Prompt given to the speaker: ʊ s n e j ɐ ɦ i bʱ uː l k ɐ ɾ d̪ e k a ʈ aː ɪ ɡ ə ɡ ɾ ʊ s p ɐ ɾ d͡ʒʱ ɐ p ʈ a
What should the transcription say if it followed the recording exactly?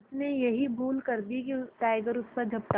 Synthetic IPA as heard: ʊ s n e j ɐ ɦ i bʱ uː l k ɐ ɾ d̪ i k i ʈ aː ɪ ɡ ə ɾ ʊ s p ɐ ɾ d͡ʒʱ ɐ p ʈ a